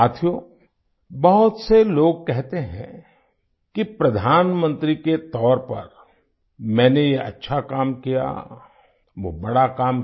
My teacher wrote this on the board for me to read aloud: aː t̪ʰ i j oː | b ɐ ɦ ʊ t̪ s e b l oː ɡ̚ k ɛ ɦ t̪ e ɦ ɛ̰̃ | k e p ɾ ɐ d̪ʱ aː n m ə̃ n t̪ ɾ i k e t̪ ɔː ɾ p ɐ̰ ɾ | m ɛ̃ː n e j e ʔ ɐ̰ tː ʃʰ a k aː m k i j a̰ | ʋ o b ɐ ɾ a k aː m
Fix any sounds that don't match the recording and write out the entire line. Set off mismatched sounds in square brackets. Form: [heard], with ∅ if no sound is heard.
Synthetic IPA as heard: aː t̪ʰ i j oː | b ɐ ɦ ʊ t̪ s e [∅] l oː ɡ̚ k ɛ ɦ t̪ e ɦ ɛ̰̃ | k [i] p ɾ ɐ d̪ʱ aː n m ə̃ n t̪ ɾ i k e t̪ ɔː ɾ p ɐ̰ ɾ | m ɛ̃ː n e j e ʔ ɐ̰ tː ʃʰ a k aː m k i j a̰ | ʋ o b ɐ [ɽ] a k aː m